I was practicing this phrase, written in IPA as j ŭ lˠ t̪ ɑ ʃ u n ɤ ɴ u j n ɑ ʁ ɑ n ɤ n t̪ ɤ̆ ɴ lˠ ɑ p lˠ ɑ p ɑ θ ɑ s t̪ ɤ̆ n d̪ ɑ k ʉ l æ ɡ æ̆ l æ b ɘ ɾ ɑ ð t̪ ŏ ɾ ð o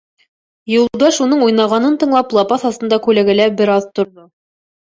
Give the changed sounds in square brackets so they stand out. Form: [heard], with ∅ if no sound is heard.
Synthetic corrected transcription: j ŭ lˠ [d̪] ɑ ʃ u n ɤ ɴ u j n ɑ ʁ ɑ n ɤ n t̪ ɤ̆ ɴ lˠ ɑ p lˠ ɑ p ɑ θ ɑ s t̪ ɤ̆ n d̪ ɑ k ʉ l æ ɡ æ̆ l æ b ɘ ɾ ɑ ð t̪ ŏ ɾ ð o